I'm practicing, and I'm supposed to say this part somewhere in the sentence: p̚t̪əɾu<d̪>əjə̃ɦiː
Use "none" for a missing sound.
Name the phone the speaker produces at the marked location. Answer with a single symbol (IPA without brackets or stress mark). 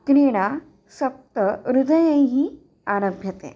d̪